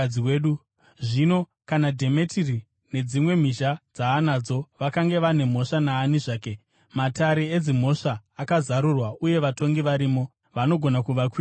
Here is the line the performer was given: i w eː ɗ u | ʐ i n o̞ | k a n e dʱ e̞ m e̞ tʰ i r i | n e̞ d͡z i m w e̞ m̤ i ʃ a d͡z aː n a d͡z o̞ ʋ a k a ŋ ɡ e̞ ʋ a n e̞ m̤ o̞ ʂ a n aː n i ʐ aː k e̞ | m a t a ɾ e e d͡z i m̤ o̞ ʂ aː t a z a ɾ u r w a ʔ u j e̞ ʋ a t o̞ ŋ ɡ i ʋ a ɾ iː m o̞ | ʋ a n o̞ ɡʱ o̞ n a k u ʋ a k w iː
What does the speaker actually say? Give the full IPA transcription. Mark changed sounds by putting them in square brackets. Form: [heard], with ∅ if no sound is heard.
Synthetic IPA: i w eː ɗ u | ʐ i n o̞ | k a n [a] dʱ e̞ m e̞ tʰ i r i | n e̞ d͡z i m w e̞ m̤ i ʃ a d͡z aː n a d͡z o̞ ʋ a k a ŋ ɡ e̞ ʋ a n e̞ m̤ o̞ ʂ a n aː n i ʐ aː k e̞ | m a t a ɾ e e d͡z i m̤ o̞ ʂ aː [k] a z a ɾ u r w a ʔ u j e̞ ʋ a t o̞ ŋ ɡ i ʋ a ɾ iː m o̞ | ʋ a n o̞ ɡʱ o̞ n a k u ʋ a k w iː